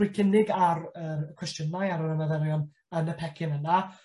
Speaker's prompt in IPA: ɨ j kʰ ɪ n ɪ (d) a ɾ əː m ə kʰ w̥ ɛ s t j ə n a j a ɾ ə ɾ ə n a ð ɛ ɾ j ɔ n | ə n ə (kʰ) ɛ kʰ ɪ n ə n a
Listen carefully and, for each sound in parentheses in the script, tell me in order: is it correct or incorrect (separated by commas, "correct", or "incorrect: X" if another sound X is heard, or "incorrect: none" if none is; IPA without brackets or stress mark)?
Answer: incorrect: ɡ, incorrect: pʰ